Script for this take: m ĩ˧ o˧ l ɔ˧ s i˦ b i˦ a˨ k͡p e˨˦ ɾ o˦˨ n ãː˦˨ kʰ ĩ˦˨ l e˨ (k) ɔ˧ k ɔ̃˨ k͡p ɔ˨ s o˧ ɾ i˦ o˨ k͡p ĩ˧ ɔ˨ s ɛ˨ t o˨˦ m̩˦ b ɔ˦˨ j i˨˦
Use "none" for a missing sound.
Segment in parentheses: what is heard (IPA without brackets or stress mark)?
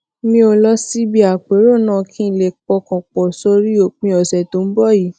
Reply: k͡p